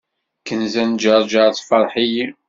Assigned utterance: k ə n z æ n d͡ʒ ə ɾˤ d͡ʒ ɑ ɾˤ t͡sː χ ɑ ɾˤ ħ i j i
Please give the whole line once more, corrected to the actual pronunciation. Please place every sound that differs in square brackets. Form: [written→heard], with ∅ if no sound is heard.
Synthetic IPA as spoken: k ə n z æ n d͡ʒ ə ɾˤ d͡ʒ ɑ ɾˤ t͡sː [χ→f] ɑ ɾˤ ħ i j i